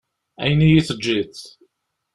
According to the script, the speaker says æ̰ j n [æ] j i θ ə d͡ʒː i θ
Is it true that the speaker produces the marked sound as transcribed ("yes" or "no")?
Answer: no